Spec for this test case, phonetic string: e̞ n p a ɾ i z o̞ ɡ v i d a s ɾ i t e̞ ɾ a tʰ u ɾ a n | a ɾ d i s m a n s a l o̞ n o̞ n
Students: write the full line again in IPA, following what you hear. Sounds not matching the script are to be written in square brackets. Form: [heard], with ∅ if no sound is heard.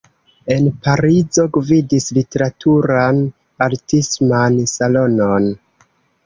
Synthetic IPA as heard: e̞ n p a ɾ i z o̞ ɡ v i d [i] s [l] i t e̞ ɾ a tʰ u ɾ a n | a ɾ [t] i s m a n s a l o̞ n o̞ n